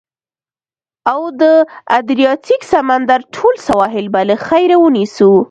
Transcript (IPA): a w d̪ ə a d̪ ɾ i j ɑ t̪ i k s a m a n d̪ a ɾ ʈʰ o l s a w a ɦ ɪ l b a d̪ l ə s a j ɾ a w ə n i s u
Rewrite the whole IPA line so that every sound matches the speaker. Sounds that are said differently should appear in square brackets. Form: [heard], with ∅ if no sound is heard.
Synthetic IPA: a w d̪ ə a d̪ ɾ i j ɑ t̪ i k s a m a n d̪ a ɾ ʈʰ o l s a w [ɑ] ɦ ɪ l b a [∅] l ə [x] a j ɾ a w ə n i s u